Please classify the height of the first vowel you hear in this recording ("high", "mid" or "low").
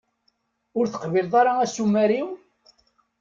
high